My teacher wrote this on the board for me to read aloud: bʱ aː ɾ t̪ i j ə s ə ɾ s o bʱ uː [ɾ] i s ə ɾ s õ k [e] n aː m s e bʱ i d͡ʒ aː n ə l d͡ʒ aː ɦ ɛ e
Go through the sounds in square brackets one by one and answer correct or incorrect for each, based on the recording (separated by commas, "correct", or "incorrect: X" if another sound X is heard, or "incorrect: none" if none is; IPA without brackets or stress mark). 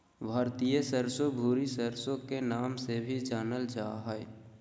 correct, correct